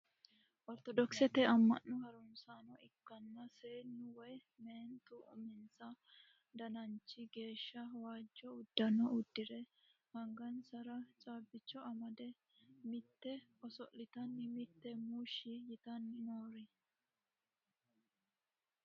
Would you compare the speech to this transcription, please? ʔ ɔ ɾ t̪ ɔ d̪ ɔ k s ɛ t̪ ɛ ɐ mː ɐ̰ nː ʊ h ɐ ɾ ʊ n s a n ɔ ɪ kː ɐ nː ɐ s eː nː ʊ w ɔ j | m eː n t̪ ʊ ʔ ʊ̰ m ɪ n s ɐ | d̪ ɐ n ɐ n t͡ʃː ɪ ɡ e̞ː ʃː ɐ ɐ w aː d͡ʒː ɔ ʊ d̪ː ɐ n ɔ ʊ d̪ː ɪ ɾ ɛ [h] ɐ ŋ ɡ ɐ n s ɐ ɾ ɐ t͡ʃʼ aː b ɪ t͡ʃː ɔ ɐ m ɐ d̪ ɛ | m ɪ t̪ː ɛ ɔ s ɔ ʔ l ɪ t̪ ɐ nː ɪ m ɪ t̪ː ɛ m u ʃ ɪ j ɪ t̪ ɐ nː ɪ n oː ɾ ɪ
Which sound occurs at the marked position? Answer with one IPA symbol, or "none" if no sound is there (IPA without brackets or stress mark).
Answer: h